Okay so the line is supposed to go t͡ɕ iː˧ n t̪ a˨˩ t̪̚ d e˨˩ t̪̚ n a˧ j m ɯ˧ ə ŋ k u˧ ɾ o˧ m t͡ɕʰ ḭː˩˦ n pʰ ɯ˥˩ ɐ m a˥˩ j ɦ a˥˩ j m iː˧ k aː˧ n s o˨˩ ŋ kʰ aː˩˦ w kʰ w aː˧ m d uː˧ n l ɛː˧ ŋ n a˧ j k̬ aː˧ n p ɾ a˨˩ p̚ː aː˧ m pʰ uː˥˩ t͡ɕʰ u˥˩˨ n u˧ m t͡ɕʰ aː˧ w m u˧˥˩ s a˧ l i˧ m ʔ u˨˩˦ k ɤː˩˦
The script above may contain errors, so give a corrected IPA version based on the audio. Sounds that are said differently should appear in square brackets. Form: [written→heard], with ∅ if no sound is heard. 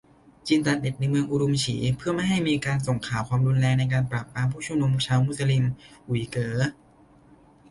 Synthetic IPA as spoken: t͡ɕ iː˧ n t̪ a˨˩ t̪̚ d e˨˩ t̪̚ n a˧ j m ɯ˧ ə ŋ [k→ʔ] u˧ ɾ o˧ m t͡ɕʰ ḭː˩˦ [n→∅] pʰ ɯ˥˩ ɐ m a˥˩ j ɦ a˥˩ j m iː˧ k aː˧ n s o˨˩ ŋ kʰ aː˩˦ w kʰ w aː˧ m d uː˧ n l ɛː˧ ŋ n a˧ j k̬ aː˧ n p ɾ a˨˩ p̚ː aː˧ m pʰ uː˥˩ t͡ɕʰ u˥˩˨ n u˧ m t͡ɕʰ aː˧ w m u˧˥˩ s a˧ l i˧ m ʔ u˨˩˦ k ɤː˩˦